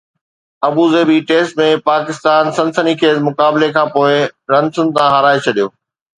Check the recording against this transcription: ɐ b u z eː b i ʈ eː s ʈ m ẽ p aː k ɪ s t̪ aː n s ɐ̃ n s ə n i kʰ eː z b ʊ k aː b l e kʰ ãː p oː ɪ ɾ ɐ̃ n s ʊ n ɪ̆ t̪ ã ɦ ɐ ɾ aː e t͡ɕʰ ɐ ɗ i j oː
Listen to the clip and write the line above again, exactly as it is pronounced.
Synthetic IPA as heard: ɐ b u z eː b i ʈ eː s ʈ m ẽ p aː k ɪ s t̪ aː n s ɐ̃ n s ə n i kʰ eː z m ʊ k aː b l e kʰ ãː p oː ɪ ɾ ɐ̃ n s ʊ n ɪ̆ t̪ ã ɦ ɐ ɾ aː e t͡ɕʰ ɐ ɗ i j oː